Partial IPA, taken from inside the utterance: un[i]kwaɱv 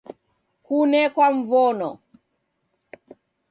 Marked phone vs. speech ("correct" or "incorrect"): incorrect